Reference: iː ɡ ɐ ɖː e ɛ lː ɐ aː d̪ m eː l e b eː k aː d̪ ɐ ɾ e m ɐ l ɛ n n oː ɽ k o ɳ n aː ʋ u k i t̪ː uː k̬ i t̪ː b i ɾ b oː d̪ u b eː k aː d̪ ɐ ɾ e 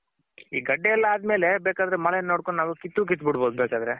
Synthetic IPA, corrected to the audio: iː ɡ ɐ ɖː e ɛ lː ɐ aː d̪ m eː l e b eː k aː d̪ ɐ ɾ e m ɐ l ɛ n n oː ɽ k o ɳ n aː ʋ u k i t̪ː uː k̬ i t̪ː b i ɽ b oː d̪ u b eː k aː d̪ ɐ ɾ e